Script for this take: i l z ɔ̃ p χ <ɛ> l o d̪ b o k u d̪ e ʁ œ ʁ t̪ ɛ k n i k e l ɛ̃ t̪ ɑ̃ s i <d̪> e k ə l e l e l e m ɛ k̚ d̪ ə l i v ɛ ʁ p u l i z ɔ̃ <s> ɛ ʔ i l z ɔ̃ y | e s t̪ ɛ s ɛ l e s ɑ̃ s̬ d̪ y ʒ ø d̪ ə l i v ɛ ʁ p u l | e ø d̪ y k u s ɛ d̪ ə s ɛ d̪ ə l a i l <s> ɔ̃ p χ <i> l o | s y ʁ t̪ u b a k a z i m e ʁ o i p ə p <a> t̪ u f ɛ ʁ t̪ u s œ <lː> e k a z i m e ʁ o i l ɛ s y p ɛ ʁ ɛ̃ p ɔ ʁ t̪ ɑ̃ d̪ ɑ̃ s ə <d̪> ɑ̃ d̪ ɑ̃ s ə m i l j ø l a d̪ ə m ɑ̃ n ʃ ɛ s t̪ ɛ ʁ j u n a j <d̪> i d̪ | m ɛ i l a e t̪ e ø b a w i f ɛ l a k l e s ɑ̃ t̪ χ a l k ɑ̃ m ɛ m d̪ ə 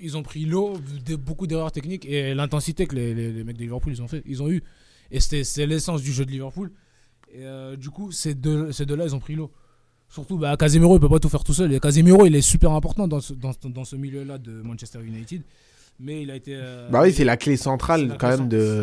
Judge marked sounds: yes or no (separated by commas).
no, no, no, no, yes, yes, no, yes, no